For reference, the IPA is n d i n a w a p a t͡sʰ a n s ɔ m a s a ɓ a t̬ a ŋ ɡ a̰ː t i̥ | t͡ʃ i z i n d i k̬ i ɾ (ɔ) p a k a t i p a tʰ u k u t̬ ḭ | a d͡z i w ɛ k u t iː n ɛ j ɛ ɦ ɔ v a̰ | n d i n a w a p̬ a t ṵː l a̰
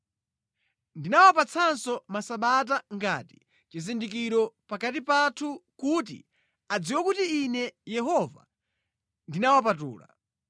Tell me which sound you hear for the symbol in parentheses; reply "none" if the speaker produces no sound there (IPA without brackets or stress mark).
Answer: ɔ